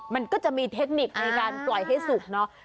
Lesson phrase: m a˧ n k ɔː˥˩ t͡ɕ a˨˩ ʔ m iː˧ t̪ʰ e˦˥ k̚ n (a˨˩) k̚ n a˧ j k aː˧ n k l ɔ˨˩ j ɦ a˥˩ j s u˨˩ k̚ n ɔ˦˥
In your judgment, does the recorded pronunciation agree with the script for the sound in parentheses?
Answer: no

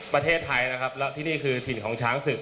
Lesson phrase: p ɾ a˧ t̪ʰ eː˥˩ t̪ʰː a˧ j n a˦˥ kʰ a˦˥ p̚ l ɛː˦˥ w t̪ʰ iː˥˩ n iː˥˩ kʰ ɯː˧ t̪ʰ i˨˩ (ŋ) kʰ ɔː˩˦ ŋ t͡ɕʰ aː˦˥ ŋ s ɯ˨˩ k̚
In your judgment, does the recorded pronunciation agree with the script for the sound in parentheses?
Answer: no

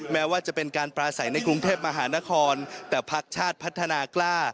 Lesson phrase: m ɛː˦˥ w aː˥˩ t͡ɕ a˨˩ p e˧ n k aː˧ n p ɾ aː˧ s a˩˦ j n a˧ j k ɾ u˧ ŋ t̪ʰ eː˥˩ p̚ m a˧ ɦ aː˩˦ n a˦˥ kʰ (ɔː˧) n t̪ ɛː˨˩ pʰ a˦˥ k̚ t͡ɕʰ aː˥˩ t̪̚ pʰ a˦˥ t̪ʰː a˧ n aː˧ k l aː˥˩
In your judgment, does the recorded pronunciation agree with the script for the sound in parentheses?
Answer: yes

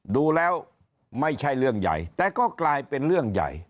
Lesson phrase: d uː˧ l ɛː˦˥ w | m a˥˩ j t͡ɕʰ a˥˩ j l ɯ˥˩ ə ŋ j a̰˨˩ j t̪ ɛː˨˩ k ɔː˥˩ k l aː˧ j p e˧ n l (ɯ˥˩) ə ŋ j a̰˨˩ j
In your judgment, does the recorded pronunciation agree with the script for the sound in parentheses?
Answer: yes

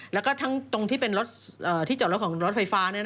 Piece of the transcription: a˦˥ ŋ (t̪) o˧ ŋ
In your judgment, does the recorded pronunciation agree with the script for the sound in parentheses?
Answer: yes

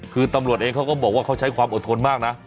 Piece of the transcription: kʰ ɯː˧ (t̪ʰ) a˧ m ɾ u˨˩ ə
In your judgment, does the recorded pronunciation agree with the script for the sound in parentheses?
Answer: no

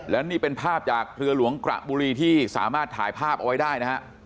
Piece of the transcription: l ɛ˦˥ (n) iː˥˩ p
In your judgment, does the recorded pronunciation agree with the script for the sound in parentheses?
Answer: yes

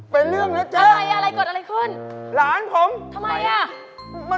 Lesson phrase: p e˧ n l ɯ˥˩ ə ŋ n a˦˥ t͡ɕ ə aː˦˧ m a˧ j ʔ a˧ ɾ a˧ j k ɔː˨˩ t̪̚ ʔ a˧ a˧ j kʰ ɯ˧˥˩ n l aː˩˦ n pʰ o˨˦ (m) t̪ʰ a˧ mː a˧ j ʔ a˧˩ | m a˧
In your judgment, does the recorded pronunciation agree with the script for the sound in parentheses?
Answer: yes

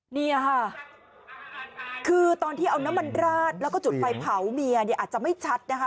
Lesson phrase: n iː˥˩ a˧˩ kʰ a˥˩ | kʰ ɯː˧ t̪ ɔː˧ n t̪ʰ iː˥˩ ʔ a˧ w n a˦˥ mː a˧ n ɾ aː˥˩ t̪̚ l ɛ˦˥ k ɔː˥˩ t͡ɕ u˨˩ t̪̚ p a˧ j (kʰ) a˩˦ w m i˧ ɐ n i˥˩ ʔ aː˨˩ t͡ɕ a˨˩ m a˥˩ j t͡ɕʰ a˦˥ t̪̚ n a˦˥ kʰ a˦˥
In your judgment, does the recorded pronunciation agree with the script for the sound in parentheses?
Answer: no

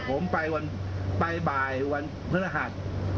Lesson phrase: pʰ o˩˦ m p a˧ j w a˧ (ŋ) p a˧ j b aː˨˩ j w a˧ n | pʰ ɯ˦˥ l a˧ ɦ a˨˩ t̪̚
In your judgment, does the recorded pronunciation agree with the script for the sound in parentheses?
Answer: no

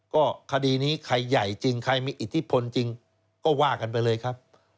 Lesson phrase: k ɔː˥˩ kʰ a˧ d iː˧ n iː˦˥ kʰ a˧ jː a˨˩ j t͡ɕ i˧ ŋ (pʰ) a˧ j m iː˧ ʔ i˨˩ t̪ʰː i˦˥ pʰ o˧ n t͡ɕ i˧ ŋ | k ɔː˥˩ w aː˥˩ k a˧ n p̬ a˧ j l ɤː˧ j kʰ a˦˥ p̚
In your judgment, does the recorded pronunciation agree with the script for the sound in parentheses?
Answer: no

